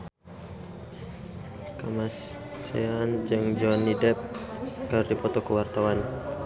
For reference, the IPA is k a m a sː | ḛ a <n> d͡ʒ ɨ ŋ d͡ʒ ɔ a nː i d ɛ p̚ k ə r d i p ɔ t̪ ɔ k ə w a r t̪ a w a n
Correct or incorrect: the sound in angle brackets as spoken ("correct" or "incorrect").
correct